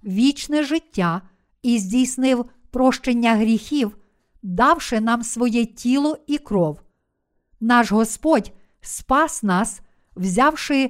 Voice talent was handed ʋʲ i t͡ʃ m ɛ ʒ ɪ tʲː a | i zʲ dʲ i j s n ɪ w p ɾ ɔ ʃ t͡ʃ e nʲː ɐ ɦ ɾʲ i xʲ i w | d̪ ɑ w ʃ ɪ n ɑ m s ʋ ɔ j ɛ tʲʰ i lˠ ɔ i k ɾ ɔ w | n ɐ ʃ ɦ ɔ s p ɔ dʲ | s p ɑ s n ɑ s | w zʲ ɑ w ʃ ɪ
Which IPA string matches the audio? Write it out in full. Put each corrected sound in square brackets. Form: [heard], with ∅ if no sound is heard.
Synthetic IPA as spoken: ʋʲ i t͡ʃ [n] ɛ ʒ ɪ tʲː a | i zʲ dʲ i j s n ɪ w p ɾ ɔ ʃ t͡ʃ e nʲː ɐ ɦ ɾʲ i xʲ i w | d̪ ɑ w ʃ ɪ n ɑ m s ʋ ɔ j ɛ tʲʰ i lˠ ɔ i k ɾ ɔ w | n [ɑ] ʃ ɦ ɔ s p ɔ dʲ | s p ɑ s n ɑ s | w zʲ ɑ w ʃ ɪ